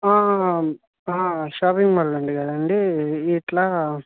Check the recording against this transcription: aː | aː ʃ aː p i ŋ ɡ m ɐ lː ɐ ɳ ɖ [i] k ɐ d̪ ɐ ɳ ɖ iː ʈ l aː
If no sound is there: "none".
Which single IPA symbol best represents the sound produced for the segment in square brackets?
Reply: i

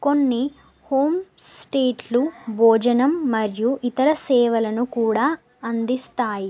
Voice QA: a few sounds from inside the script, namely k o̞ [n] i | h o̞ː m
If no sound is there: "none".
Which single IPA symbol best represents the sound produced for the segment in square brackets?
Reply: nː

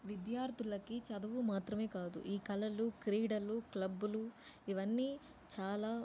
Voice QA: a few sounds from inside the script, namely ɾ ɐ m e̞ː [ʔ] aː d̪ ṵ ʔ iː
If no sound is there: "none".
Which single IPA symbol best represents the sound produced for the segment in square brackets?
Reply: k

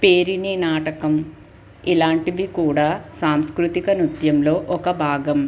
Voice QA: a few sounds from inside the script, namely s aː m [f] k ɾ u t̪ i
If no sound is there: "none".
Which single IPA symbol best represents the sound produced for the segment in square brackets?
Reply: s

